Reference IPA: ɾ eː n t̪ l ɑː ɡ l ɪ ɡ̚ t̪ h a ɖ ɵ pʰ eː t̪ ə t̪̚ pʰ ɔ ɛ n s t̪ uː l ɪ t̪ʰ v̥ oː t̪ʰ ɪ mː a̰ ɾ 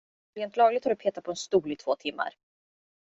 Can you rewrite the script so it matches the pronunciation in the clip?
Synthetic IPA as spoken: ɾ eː n t̪ l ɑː ɡ l ɪ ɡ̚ t̪ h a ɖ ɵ pʰ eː t̪ a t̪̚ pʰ ɔ ɛ n s t̪ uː l ɪ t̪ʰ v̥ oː t̪ʰ ɪ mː a̰ ɾ